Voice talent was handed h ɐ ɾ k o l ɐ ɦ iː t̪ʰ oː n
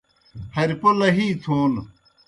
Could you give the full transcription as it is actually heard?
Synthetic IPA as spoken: h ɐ ɾ p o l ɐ ɦ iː t̪ʰ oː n